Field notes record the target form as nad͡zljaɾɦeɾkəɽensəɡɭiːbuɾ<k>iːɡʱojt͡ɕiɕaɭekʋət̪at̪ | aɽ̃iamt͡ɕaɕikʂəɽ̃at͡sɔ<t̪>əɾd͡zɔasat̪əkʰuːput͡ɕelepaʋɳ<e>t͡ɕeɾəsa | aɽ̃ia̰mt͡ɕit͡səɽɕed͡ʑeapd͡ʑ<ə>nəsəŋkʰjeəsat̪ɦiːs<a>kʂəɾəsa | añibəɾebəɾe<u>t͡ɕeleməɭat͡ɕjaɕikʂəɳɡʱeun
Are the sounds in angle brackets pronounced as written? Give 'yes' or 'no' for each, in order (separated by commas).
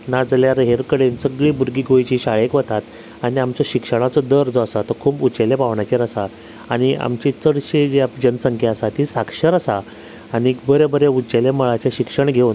no, no, no, yes, yes, yes